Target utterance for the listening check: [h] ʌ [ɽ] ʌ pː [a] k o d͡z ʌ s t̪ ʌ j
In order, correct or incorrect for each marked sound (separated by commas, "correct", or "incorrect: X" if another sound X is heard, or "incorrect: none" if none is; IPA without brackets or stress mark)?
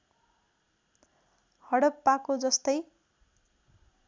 correct, correct, correct